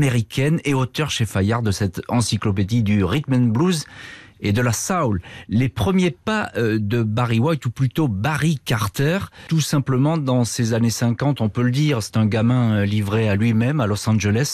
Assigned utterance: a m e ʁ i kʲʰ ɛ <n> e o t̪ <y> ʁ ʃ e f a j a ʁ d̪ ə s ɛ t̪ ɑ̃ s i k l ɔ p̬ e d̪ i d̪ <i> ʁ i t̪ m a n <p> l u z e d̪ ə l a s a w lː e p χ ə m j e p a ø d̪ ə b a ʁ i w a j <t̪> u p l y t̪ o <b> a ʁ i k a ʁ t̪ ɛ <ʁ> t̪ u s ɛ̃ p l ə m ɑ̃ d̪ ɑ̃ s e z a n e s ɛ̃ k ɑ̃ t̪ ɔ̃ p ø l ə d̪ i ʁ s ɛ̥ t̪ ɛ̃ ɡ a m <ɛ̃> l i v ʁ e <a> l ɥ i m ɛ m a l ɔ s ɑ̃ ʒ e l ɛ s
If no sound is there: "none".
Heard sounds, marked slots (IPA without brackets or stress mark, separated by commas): n, œ, y, b, t̪, b, ʁ, ɛ̃, a